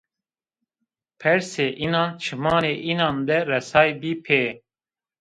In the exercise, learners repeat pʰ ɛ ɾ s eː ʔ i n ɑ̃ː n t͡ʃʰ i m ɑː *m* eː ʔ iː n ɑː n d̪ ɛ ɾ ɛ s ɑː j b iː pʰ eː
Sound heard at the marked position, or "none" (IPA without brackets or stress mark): n